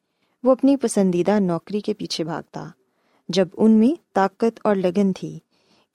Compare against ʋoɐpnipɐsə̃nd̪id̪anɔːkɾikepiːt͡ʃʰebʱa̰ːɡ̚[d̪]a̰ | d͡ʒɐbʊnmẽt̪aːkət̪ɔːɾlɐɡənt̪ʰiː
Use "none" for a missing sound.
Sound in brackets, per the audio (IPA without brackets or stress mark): t̪